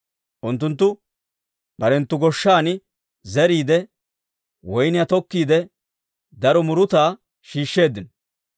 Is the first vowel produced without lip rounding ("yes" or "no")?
no